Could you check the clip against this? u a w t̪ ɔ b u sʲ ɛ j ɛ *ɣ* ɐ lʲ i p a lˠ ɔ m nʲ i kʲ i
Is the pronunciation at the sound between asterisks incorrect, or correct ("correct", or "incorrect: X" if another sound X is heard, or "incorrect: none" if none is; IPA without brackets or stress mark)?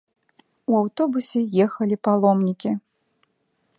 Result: incorrect: x